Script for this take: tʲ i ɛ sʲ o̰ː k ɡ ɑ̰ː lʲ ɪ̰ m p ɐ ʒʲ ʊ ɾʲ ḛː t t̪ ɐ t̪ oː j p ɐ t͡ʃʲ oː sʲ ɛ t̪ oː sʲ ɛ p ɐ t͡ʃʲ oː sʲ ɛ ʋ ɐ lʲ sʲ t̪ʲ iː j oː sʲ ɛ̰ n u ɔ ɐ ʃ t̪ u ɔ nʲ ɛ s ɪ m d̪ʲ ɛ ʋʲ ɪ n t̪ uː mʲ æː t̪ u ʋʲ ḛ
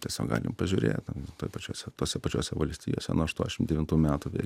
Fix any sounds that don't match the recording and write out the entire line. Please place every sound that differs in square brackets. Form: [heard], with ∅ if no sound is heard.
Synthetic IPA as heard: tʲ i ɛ sʲ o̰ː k ɡ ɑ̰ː lʲ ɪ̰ m p ɐ ʒʲ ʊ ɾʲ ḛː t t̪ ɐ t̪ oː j p ɐ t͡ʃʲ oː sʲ ɛ t̪ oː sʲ ɛ p ɐ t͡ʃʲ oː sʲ ɛ ʋ ɐ lʲ sʲ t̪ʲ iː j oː sʲ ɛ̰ n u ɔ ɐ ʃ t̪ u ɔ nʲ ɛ [ʃ] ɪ m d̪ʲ ɛ ʋʲ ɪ n t̪ uː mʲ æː t̪ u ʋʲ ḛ